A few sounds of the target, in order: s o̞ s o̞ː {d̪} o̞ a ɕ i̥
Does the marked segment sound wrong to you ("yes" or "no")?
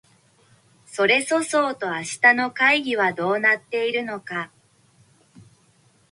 yes